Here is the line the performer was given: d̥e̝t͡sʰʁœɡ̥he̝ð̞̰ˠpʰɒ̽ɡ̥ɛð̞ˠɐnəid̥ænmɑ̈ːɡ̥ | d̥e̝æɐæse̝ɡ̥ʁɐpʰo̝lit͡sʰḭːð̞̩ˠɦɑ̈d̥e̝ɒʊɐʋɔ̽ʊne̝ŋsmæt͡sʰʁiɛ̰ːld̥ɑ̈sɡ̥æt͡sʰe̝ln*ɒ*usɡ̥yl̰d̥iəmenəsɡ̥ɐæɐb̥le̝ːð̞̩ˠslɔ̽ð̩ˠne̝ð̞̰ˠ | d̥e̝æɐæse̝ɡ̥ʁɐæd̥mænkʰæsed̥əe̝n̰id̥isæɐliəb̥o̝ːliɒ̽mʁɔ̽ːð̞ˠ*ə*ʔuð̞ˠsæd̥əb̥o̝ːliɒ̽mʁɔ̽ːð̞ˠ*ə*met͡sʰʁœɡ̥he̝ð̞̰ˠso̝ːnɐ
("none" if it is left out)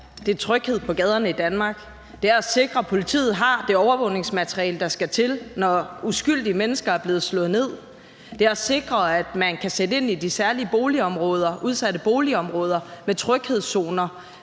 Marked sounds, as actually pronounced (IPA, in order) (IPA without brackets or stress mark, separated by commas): ɒ, ɐ, ɐ